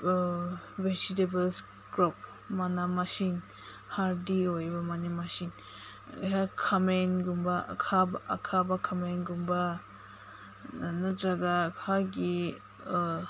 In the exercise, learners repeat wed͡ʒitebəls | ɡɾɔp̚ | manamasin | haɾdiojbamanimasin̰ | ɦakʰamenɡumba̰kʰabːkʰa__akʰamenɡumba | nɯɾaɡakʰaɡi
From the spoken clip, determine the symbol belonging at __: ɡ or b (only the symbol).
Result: b